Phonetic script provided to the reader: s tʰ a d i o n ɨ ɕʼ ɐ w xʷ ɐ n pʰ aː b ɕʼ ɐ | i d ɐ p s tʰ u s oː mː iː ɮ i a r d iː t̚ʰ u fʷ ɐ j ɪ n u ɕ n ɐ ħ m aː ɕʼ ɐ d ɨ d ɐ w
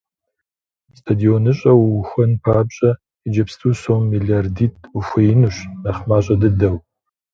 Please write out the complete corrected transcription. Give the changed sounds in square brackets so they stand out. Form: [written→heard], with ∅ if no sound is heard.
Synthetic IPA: s tʰ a d i o n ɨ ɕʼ ɐ w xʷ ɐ n pʰ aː b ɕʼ ɐ | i [d→d͡ʒ] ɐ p s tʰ u s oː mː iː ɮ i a r d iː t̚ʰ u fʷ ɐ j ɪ n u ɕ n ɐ [ħ→χ] m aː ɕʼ ɐ d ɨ d ɐ w